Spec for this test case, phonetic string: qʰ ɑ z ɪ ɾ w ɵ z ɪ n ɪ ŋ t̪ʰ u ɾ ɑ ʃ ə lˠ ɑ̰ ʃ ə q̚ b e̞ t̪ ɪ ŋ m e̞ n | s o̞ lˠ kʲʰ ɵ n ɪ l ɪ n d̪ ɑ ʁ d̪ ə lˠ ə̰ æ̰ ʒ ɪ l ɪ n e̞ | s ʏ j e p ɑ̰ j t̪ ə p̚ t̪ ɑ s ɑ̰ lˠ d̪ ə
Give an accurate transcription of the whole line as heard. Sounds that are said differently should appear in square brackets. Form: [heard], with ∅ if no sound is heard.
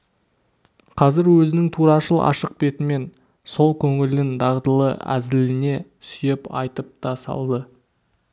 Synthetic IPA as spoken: qʰ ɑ z ɪ ɾ w ɵ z ɪ n ɪ ŋ t̪ʰ u ɾ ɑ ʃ ə lˠ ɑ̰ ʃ ə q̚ b e̞ t̪ ɪ [∅] m e̞ n | s o̞ lˠ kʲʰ ɵ [ŋ] ɪ l ɪ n d̪ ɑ ʁ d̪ ə lˠ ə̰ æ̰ [z] ɪ l ɪ n e̞ | s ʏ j e p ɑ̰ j t̪ ə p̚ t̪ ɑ s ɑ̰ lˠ d̪ ə